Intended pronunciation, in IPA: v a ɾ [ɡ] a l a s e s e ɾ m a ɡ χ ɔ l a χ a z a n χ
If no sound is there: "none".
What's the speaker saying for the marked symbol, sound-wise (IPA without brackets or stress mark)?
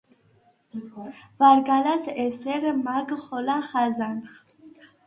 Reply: ɡ